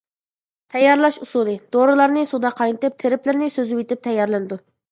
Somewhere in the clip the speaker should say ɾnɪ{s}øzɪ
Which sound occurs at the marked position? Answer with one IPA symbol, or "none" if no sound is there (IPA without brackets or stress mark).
s